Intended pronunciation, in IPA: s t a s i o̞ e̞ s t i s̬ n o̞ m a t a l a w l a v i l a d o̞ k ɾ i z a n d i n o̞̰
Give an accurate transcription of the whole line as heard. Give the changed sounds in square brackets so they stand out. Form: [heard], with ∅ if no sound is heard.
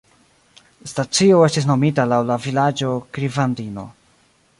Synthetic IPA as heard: s t a [t͡s] i o̞ e̞ s t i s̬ n o̞ m [i] t a l a w l a v i l a [d͡ʒ] o̞ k ɾ i [v] a n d i n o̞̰

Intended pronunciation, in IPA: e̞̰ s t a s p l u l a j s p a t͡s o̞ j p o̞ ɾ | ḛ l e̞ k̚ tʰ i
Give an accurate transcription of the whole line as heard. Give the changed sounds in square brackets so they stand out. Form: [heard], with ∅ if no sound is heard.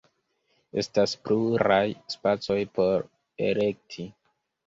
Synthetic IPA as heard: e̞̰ s t a s p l u [ɾ] a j s p a t͡s o̞ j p o̞ ɾ | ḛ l e̞ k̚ tʰ i

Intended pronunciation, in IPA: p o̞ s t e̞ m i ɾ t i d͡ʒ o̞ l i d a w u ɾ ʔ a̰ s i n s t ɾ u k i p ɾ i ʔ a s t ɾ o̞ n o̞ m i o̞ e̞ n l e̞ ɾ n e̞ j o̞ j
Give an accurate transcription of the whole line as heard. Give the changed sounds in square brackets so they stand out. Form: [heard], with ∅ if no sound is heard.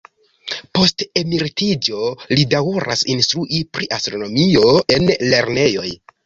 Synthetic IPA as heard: p o̞ s t e̞ m i ɾ t i d͡ʒ o̞ l i d a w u ɾ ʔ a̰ s i n s t ɾ u [ʔ] i p ɾ i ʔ a s t ɾ o̞ n o̞ m i o̞ e̞ n l e̞ ɾ n e̞ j o̞ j

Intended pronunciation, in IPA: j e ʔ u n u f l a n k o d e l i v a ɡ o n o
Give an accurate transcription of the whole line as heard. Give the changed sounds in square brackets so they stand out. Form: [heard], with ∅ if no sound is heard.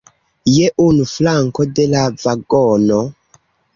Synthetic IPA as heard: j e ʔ u n u f l a [ŋ] k o d e l [a] v a ɡ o n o

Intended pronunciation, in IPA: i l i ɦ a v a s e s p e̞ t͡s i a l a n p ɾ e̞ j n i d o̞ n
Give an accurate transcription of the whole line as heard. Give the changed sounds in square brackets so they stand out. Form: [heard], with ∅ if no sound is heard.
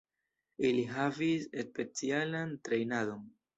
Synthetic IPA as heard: i l i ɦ a v [i] s e s p e̞ t͡s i a l a n [t] ɾ e̞ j n [a] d o̞ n

